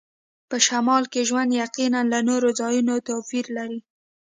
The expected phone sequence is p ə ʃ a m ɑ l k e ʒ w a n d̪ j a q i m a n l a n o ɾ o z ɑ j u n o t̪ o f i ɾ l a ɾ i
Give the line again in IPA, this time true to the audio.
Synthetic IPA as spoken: p ə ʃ a m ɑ l k e ʒ w a n d̪ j a q i n a n l a n o ɾ o z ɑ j u n o t̪ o f i ɾ l a ɾ i